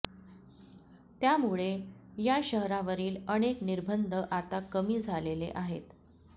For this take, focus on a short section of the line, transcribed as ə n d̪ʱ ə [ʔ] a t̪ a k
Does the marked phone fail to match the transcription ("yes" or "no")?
no